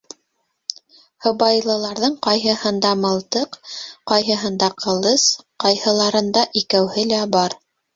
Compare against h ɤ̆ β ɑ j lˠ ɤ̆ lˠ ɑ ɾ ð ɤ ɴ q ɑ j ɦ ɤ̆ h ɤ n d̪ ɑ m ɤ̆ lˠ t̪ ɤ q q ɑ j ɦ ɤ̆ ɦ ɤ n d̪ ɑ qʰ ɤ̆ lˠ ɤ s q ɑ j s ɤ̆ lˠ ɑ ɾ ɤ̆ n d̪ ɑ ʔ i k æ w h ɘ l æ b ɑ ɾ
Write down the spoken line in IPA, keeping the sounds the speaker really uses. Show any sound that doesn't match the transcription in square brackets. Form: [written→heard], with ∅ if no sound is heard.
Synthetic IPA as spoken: h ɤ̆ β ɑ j lˠ ɤ̆ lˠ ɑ ɾ ð ɤ ɴ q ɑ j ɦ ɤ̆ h ɤ n d̪ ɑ m ɤ̆ lˠ t̪ ɤ q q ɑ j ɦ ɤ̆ ɦ ɤ n d̪ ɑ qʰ ɤ̆ lˠ ɤ s q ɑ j [s→h] ɤ̆ lˠ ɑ ɾ ɤ̆ n d̪ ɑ ʔ i k æ w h ɘ l æ b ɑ ɾ

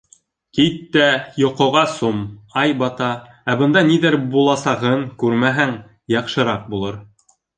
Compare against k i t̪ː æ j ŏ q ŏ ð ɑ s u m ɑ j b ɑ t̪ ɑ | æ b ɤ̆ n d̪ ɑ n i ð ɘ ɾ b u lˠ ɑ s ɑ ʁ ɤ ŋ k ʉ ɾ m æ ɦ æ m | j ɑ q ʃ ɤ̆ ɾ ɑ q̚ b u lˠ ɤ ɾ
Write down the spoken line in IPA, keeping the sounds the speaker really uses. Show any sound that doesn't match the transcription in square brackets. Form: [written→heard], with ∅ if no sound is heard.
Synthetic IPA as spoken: k i t̪ː æ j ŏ q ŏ [ð→ʁ] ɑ s u m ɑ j b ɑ t̪ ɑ | æ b ɤ̆ n d̪ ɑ n i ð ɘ ɾ b u lˠ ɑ s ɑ ʁ ɤ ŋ k ʉ ɾ m æ ɦ æ [m→ŋ] | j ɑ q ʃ ɤ̆ ɾ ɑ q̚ b u lˠ ɤ ɾ

